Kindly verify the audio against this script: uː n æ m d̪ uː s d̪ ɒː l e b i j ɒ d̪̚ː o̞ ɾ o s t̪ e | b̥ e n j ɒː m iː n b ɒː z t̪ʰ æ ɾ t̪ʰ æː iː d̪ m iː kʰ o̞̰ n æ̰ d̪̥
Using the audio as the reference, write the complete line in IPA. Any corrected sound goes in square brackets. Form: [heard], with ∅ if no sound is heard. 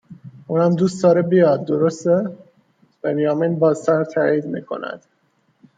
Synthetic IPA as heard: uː n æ m d̪ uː s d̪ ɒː [ɾ] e b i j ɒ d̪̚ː o̞ ɾ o s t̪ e | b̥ e n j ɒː m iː n b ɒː z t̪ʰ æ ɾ t̪ʰ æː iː d̪ m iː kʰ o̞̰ n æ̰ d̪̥